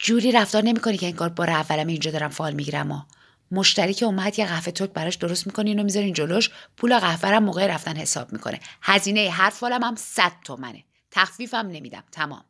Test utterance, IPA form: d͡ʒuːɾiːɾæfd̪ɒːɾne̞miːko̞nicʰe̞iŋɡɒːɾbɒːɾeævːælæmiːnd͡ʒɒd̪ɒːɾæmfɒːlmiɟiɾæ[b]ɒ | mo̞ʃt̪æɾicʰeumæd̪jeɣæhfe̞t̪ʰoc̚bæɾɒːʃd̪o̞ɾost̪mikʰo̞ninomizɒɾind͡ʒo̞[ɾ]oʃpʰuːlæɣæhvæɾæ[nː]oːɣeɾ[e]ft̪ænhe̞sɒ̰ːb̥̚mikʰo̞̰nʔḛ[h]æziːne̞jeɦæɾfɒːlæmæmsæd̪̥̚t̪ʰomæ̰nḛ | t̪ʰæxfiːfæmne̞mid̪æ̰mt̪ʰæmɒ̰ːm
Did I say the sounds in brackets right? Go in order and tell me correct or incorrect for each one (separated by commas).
incorrect, incorrect, incorrect, incorrect, correct